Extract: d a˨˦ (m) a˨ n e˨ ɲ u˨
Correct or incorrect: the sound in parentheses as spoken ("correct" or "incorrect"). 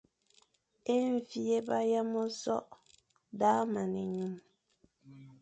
correct